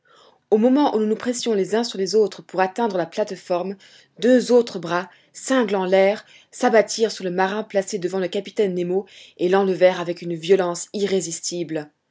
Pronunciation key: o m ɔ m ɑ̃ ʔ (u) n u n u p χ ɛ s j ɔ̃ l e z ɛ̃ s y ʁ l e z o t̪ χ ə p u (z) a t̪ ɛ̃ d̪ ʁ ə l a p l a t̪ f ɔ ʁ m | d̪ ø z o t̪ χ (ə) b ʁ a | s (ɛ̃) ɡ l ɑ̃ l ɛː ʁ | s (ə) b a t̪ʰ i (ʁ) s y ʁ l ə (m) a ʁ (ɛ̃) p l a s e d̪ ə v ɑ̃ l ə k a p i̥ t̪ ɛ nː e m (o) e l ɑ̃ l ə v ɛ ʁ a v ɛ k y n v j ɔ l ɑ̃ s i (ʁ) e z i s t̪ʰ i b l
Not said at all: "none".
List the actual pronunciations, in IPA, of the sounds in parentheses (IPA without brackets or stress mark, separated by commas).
u, ʁ, ə, ɛ̃, a, ʁ, m, ɛ̃, o, ʁ